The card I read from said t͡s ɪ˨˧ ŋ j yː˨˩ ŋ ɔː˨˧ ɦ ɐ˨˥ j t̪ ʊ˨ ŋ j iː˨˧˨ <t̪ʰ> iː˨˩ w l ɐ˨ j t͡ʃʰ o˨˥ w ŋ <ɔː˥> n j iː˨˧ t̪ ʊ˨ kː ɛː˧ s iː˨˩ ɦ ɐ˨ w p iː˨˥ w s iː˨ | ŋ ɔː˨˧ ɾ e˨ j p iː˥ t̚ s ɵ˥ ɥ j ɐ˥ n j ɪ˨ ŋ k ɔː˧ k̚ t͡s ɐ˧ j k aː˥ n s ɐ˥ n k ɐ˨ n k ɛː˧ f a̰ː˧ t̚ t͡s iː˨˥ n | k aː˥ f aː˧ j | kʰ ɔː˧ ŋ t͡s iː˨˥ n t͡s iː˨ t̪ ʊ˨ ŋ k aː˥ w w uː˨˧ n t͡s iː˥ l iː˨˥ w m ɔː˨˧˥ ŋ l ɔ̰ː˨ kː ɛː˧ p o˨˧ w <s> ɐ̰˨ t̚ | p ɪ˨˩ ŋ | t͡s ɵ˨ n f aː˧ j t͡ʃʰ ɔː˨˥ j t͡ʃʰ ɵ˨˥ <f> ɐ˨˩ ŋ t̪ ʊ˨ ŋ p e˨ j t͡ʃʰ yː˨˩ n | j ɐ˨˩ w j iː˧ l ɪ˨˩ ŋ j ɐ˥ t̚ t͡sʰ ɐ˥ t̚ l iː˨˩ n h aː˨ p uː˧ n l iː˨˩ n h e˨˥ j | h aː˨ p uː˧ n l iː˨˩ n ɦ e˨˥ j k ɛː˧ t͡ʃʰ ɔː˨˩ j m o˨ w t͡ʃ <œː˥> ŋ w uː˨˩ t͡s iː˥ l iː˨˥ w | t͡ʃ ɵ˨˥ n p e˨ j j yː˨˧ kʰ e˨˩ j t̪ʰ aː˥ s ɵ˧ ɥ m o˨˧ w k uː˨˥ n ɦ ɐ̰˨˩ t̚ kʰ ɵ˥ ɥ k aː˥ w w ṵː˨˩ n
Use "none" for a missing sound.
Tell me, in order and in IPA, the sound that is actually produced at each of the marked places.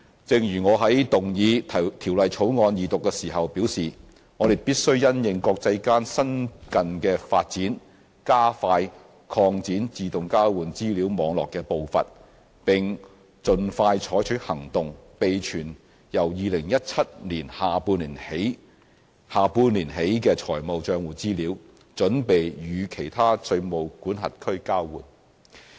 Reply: t̪ʰ, ɔː˧, f, h, œː˧

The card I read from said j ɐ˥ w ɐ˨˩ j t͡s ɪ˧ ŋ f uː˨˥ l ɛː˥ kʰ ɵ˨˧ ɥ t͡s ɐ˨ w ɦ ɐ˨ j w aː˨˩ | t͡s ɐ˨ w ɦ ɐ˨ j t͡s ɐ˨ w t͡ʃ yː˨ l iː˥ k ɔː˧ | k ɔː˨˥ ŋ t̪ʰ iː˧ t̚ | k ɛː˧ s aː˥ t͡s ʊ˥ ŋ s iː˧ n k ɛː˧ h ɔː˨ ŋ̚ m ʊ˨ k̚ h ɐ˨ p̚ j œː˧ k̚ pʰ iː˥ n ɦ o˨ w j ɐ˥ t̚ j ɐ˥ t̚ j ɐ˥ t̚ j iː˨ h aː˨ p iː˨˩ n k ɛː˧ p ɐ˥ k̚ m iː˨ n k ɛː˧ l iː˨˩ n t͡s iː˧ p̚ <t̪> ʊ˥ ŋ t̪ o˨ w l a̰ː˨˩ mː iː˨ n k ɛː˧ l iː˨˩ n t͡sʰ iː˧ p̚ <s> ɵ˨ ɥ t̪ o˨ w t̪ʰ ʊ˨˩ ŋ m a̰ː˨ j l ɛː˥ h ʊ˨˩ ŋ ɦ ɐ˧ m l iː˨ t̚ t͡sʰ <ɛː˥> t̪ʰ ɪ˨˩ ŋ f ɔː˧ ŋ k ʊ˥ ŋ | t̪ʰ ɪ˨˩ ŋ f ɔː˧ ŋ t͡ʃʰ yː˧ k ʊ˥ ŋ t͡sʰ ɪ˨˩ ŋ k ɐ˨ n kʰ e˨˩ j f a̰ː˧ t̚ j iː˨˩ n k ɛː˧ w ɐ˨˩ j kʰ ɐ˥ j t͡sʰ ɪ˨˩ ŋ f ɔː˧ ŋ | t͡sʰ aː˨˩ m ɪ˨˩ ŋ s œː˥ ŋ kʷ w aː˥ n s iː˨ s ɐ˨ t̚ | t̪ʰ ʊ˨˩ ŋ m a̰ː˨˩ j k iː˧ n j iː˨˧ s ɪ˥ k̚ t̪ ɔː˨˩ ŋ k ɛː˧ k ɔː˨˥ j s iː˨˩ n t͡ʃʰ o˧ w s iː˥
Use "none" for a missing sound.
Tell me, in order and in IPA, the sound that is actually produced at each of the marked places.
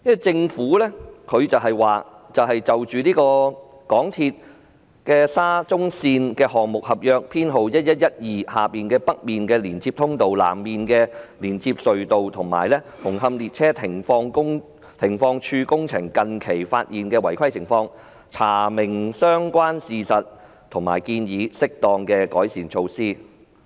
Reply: t̪ʰ, s, ɛː˥

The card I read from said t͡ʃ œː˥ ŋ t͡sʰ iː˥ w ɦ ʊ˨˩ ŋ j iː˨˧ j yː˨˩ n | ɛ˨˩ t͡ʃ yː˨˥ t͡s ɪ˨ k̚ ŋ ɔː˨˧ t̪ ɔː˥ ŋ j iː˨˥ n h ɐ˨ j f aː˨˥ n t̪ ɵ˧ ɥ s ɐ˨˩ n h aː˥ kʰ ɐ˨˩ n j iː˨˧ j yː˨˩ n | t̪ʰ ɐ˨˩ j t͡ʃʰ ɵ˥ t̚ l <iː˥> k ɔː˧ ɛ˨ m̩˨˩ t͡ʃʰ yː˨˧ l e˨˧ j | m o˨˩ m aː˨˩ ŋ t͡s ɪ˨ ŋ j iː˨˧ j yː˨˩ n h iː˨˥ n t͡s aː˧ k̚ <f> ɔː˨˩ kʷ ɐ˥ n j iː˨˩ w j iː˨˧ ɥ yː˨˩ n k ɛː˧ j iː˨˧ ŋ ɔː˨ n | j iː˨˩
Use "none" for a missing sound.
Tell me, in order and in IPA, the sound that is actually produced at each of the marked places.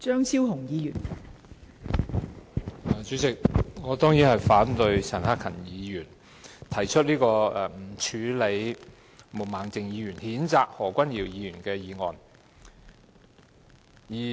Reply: iː˥, h

